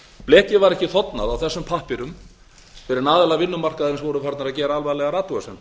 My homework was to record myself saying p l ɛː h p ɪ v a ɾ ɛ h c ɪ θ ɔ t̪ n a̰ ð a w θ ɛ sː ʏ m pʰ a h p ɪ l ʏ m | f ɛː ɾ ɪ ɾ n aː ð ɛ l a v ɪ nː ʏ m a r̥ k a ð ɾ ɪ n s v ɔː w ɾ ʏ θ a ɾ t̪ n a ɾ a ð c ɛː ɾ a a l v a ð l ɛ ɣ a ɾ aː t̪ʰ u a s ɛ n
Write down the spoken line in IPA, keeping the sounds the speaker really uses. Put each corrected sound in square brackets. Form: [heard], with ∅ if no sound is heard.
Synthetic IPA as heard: p l ɛː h [c] ɪ v a ɾ ɛ h c ɪ θ ɔ t̪ n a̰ ð a w θ ɛ sː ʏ m pʰ a h p ɪ [ɾ] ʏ m | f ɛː ɾ ɪ ɾ n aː ð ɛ l a v ɪ nː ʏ m a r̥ k a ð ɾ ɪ n s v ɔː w ɾ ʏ [f] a ɾ t̪ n a ɾ a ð c ɛː ɾ a a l v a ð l ɛ ɣ a ɾ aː [t̪] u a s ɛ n